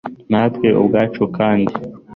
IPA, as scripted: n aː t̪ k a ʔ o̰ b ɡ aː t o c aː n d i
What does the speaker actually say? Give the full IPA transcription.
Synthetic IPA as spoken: n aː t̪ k e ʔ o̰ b ɡ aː t͡ʃ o k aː n d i